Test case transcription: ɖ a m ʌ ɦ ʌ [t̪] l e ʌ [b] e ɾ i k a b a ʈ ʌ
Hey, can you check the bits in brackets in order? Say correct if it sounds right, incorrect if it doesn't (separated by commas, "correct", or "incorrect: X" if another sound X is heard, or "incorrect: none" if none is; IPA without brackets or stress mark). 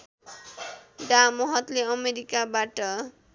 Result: correct, incorrect: m